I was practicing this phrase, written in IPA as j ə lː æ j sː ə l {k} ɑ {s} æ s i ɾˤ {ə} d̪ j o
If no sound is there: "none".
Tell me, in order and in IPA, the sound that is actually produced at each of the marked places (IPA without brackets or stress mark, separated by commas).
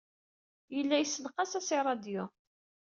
q, s, ɑ